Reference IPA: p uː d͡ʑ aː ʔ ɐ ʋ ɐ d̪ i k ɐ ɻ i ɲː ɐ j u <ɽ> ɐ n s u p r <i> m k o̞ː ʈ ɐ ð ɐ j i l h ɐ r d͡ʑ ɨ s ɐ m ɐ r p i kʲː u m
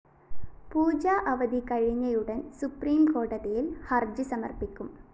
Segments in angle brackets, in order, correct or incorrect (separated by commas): correct, incorrect